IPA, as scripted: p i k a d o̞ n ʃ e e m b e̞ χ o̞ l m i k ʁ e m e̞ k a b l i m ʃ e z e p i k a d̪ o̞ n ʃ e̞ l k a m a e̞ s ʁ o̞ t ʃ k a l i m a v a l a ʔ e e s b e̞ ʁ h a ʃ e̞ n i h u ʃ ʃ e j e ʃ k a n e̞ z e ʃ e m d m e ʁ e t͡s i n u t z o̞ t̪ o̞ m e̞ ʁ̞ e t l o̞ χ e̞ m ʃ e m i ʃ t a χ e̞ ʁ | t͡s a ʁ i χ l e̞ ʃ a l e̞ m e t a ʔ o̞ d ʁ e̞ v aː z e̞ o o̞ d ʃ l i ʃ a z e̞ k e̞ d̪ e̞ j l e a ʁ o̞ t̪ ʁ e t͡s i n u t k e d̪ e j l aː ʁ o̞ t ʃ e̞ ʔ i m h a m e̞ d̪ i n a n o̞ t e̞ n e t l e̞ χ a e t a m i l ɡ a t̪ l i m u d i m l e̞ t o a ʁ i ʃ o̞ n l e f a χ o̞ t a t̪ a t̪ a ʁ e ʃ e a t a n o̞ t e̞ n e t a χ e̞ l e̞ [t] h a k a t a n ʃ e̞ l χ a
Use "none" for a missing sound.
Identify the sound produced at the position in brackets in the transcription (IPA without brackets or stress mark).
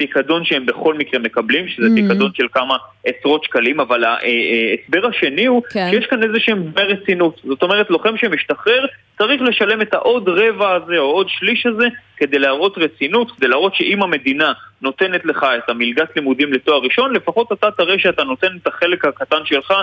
k